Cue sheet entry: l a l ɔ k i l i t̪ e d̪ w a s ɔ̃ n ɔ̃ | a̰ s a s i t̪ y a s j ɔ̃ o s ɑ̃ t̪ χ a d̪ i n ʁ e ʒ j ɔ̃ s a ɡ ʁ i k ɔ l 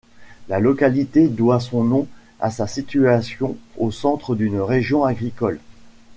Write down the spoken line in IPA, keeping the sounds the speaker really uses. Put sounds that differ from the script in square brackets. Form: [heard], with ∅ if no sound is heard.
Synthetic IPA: l a l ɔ k [a] l i t̪ e d̪ w a s ɔ̃ n ɔ̃ | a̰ s a s i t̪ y a s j ɔ̃ o s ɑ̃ t̪ χ [ə] d̪ [y] n ʁ e ʒ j ɔ̃ [∅] a ɡ ʁ i k ɔ l